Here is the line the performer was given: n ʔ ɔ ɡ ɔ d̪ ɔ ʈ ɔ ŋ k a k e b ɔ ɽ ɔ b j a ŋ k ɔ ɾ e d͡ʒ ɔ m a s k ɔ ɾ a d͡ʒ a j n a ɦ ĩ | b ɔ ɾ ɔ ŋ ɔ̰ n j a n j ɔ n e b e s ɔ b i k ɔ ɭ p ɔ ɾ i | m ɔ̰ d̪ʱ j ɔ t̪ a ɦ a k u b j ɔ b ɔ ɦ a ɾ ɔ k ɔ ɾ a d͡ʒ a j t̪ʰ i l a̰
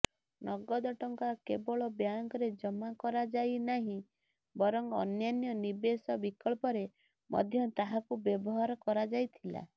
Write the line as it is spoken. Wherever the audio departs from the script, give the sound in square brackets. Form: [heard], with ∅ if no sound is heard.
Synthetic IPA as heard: n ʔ ɔ ɡ ɔ d̪ ɔ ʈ ɔ ŋ k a k e b ɔ [ɭ] ɔ b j a ŋ k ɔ ɾ e d͡ʒ ɔ m a [∅] k ɔ ɾ a d͡ʒ a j n a ɦ ĩ | b ɔ ɾ ɔ ŋ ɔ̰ n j a n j ɔ n [i] b e s ɔ b i k ɔ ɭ p ɔ ɾ [e] | m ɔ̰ d̪ʱ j ɔ t̪ a ɦ a k u b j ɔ b ɔ ɦ a ɾ ɔ k ɔ ɾ a d͡ʒ a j t̪ʰ i l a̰